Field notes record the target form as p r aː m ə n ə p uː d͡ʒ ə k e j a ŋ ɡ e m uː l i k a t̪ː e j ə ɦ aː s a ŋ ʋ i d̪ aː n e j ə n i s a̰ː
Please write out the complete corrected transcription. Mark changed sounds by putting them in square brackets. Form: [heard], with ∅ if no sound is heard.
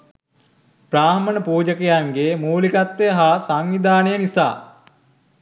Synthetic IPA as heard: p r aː m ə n ə p uː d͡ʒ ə k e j a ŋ ɡ e m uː l i k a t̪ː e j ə ɦ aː s a ŋ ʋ i d̪ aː n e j ə n i s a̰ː